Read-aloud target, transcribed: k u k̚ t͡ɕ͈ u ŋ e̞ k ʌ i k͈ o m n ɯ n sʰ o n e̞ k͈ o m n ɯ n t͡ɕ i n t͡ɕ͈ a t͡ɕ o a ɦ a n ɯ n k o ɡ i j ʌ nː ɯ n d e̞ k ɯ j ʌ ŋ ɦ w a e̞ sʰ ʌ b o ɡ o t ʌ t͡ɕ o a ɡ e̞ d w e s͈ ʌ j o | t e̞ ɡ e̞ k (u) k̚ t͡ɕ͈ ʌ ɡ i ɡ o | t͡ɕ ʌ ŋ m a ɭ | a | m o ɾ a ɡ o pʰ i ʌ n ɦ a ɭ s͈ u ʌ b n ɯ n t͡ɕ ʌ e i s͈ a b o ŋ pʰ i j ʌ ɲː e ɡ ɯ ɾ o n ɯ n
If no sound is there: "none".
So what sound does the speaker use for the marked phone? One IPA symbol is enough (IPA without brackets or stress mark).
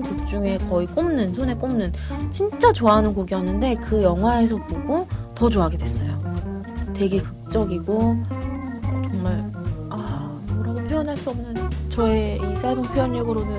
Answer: ɯ